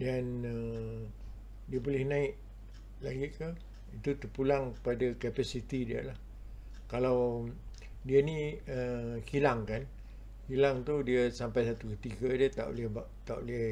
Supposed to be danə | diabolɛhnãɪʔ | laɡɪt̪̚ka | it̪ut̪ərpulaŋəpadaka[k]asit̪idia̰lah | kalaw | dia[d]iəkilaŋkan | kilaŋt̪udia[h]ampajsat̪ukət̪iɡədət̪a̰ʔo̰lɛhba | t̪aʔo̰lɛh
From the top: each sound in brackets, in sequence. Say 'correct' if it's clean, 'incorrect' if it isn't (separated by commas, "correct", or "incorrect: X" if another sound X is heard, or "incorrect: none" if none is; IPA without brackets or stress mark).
incorrect: p, incorrect: n, incorrect: s